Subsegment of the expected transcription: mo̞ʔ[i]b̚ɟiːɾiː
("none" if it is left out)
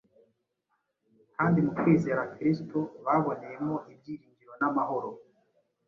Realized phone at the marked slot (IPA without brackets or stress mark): i